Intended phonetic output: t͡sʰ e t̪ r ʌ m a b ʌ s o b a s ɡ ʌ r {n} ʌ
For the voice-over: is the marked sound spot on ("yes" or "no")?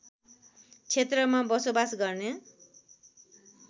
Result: yes